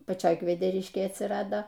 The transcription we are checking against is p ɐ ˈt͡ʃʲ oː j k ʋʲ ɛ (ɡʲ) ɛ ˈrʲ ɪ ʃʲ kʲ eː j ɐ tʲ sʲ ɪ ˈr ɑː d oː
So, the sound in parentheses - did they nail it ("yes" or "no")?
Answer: no